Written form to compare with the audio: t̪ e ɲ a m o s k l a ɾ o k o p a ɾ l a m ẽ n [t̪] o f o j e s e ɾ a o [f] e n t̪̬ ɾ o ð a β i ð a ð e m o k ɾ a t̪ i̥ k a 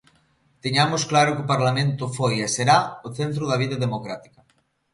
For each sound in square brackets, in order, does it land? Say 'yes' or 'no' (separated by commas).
yes, no